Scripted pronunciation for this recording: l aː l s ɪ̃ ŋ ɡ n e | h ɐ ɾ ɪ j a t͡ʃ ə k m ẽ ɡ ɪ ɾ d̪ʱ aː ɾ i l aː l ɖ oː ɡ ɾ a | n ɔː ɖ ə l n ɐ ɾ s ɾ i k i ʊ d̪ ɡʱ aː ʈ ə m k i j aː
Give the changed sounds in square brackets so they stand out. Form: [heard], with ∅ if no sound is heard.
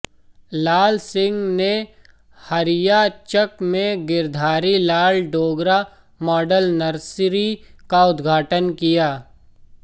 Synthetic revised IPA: l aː l s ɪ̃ ŋ ɡ n e | h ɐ ɾ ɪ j a t͡ʃ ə k m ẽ ɡ ɪ ɾ d̪ʱ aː ɾ i l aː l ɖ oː ɡ ɾ a | [m] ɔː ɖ ə l n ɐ ɾ s ɾ i k [a] ʊ d̪ ɡʱ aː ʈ ə [n] k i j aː